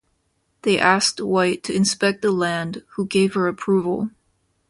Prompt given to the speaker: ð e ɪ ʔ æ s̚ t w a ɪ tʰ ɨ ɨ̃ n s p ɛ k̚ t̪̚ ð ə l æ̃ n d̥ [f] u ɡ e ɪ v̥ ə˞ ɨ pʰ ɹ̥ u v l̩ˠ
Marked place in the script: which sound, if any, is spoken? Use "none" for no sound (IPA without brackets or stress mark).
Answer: h